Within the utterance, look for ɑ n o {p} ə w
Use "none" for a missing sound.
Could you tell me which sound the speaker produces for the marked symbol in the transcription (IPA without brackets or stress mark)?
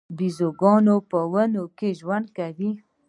p